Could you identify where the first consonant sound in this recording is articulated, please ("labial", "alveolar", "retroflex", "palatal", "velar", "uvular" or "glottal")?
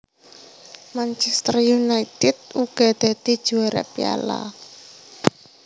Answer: labial